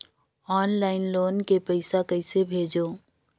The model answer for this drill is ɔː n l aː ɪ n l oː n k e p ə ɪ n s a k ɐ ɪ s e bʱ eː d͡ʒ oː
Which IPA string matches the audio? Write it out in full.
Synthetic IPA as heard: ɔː n l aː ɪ n l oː n k e p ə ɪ s a k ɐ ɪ s e bʱ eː d͡ʒ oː